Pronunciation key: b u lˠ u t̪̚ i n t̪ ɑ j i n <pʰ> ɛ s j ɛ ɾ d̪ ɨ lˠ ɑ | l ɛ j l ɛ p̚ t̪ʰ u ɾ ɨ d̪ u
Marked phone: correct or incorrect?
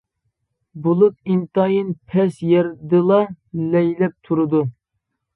correct